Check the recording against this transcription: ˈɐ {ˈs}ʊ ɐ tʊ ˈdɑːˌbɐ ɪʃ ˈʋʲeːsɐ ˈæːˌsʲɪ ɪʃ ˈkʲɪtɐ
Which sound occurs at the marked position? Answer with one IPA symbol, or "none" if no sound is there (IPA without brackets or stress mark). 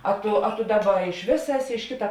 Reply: t